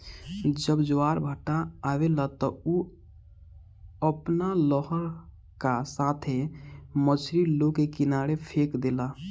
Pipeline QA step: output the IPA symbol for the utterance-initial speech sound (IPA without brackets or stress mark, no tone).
d͡ʒ